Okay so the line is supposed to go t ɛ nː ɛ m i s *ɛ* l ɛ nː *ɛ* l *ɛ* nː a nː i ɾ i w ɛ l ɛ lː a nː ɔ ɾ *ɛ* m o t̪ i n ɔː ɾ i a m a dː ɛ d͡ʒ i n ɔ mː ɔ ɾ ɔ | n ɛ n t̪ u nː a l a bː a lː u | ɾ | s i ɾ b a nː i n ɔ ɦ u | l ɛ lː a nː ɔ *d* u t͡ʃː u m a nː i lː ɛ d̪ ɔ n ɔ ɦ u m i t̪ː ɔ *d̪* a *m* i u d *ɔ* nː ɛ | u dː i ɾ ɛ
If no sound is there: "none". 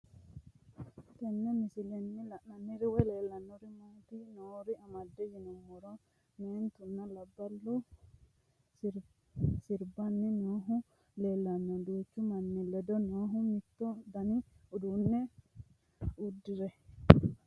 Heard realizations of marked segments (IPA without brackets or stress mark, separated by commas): i, i, a, i, d, d̪, n, u